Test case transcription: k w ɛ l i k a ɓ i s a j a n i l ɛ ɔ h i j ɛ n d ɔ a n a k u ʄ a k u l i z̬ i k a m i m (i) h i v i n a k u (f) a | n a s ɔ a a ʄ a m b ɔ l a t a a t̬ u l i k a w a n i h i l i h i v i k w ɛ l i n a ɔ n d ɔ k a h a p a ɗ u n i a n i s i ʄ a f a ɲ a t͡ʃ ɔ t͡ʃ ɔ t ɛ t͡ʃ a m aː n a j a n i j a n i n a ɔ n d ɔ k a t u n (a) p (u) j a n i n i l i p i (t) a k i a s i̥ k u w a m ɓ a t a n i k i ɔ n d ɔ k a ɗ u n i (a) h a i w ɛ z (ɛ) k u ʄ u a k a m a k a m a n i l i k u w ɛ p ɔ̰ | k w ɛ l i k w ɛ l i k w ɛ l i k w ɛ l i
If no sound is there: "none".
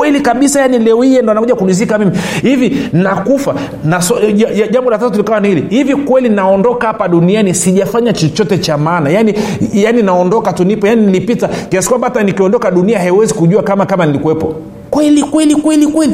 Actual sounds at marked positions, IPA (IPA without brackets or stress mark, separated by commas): i, f, i, ɔ, t, a, i